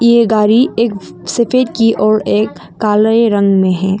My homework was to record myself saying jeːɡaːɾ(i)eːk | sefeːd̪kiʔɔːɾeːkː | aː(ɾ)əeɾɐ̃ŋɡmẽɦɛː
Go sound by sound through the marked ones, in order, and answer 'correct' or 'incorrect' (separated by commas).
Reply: correct, incorrect